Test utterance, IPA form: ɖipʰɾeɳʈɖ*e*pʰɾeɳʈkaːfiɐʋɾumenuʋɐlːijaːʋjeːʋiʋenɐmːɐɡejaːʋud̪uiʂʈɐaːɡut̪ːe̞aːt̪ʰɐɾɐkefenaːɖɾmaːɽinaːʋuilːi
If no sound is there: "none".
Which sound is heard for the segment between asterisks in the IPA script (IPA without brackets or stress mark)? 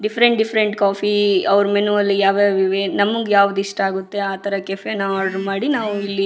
i